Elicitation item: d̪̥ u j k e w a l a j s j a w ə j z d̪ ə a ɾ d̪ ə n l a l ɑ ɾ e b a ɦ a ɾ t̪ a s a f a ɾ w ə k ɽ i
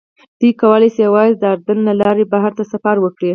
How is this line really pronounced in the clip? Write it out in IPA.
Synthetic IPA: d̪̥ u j k a w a l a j s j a w ɑ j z d̪ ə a ɾ d̪ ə n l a l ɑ ɾ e b a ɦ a ɾ t̪ a s a f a ɾ w ə k ɽ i

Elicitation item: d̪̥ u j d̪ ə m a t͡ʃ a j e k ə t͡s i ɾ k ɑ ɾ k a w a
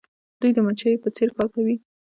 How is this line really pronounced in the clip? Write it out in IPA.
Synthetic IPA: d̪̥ u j d̪ ə m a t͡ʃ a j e p ə t͡s e ɾ k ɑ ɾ k a w i

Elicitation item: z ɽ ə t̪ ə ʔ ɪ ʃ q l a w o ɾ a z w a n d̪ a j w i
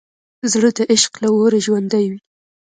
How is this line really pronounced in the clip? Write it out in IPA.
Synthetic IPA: z ɽ ə d̪ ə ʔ ɪ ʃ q l a w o ɾ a ʒ w a n d̪ a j w i

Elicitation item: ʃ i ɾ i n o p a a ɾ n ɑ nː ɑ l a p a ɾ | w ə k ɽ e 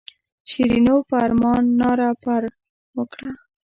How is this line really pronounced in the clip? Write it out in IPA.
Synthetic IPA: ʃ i ɾ i n o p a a ɾ m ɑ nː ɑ ɾ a p a ɾ | w ə k ɽ a

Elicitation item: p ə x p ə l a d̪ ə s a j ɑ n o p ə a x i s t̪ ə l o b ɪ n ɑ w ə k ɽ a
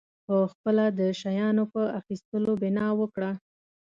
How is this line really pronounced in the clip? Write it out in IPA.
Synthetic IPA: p ə x p ə l a d̪ ə ʃ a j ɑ n o p ə a x i s t̪ ə l o b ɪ n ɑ w ə k ɽ a

